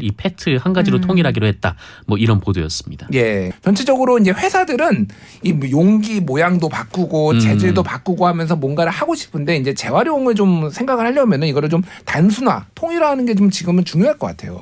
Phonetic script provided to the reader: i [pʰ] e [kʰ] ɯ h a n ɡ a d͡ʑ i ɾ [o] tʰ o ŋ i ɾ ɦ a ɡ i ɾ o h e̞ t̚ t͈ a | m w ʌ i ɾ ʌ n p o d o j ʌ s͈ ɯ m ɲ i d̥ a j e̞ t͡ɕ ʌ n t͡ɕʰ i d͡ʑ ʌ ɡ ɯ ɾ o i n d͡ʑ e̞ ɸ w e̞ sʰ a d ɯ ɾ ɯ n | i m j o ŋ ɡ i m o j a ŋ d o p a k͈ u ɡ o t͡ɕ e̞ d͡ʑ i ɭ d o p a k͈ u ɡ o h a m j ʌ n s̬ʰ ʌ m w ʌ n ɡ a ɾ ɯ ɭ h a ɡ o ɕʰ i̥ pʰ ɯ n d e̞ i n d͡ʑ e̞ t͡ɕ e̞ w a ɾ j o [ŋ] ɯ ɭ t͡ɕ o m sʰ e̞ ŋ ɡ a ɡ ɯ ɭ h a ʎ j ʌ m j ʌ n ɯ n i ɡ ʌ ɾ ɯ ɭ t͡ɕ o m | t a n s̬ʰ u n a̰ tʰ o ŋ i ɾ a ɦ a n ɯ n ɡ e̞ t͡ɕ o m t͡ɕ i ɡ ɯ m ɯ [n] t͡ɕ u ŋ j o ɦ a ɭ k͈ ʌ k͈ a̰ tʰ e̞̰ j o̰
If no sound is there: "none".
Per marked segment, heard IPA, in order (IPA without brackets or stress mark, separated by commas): pʰ, tʰ, o, ŋ, n